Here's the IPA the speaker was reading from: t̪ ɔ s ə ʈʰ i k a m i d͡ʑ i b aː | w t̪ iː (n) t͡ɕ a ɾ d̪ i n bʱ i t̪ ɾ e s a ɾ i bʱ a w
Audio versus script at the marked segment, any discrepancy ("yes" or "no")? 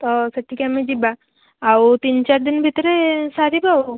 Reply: no